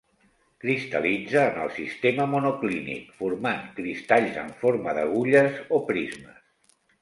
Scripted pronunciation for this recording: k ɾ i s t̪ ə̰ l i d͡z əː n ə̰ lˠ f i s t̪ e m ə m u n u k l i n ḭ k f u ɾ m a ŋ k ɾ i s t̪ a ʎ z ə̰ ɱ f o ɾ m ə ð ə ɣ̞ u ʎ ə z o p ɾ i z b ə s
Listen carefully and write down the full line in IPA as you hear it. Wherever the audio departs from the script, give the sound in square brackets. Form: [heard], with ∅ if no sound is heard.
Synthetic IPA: k ɾ i s t̪ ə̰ l i d͡z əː n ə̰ lˠ [s] i s t̪ e m ə m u n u k l i n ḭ k f u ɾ m a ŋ k ɾ i s t̪ a ʎ z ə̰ ɱ f o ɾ m ə ð ə ɣ̞ u ʎ ə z o p ɾ i z [m] ə s